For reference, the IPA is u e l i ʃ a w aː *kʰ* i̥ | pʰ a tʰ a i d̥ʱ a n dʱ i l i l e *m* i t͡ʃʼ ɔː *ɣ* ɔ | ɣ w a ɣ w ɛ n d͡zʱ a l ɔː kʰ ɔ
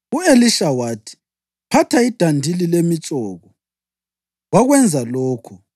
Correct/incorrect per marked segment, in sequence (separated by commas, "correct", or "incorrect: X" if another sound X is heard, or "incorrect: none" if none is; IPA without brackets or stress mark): incorrect: tʰ, correct, correct